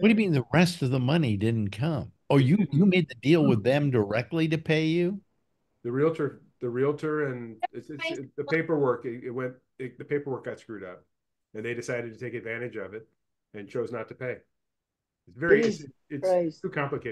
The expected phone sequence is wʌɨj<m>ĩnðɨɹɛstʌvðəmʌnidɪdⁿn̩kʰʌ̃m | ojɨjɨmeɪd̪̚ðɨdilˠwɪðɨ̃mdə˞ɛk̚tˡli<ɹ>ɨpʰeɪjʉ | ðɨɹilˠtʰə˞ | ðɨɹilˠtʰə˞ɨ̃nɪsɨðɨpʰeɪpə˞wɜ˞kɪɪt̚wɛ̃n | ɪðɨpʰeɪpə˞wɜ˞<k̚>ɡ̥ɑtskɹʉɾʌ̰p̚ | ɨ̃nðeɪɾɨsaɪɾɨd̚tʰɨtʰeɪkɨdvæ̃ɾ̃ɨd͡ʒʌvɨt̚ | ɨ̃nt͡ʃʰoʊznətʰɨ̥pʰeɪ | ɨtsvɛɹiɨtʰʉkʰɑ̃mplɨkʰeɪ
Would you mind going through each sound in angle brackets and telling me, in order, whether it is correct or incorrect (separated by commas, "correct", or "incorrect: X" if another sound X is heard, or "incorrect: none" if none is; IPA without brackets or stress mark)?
correct, incorrect: ɾ, correct